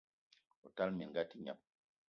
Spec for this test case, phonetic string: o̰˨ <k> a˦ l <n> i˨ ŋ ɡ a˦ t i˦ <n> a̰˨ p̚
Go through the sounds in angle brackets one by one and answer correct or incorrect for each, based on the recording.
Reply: incorrect: t, incorrect: m, incorrect: ɲ

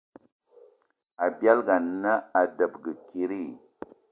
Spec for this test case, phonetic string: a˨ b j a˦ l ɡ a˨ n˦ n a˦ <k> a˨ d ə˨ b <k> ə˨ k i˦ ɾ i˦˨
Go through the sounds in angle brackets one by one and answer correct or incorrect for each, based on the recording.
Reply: incorrect: none, incorrect: ɡ

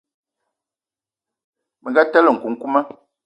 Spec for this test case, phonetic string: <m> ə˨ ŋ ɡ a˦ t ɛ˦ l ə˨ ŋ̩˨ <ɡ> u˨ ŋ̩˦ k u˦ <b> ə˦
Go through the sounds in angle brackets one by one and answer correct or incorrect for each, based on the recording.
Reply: correct, incorrect: k, incorrect: m

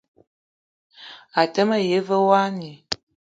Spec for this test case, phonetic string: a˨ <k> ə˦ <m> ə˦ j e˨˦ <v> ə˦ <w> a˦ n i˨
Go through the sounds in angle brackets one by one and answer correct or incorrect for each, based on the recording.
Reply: incorrect: t, correct, correct, correct

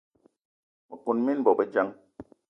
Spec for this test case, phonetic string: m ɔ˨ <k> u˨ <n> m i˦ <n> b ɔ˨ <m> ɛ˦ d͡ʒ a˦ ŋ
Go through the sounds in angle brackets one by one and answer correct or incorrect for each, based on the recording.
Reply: correct, correct, correct, incorrect: b

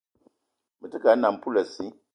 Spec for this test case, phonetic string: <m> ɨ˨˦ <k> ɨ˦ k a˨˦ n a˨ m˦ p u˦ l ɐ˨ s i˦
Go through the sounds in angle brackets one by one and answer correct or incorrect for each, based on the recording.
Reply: correct, incorrect: t

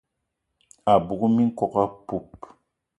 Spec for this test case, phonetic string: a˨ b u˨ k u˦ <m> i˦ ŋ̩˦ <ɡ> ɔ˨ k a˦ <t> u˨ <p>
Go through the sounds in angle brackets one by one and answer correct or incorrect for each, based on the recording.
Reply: correct, incorrect: k, incorrect: p, correct

